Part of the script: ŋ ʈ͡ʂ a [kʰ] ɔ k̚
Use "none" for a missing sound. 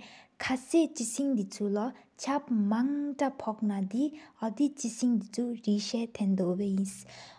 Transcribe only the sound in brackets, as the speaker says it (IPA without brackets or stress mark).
pʰ